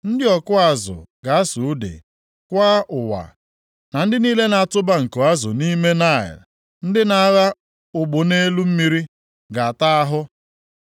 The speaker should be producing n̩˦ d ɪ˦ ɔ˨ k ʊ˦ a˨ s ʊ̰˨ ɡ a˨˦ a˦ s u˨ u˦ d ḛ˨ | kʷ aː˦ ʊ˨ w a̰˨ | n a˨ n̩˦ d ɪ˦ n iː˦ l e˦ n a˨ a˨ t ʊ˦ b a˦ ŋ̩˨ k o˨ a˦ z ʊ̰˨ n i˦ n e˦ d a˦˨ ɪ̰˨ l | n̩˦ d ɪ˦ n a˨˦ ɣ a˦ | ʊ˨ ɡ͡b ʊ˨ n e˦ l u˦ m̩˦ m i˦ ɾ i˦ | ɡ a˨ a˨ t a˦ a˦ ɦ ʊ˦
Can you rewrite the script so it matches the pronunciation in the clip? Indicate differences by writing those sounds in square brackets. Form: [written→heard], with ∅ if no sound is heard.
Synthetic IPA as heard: n̩˦ d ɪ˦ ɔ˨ k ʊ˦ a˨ [s→z] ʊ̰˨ ɡ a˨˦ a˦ s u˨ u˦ d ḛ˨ | kʷ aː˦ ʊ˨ w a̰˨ | n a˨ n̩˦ d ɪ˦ n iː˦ l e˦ n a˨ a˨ t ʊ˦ b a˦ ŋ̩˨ k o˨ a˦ z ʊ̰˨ n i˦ [n→m] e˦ [d→n] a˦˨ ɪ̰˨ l | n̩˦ d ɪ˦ n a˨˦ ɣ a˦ | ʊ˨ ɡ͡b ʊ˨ n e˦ l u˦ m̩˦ m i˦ ɾ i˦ | ɡ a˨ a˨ t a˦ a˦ ɦ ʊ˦